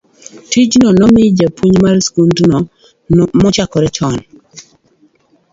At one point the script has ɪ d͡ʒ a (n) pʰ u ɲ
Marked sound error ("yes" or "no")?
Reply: yes